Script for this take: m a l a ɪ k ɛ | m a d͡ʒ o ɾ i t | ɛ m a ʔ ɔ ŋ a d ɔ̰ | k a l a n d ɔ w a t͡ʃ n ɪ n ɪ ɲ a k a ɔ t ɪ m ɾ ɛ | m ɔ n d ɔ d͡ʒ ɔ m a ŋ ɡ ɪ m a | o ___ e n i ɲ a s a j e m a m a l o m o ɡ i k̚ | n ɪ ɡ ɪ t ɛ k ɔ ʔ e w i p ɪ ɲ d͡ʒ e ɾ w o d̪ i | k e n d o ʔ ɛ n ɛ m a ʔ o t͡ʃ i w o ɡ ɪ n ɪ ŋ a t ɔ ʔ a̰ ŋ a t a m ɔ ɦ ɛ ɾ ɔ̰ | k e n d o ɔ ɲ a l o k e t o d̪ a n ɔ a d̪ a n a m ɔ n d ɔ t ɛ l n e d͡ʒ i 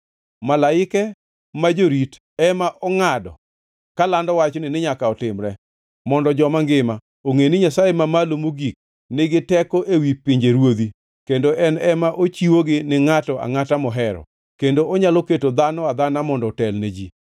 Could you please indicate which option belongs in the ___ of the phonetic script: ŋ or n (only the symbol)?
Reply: ŋ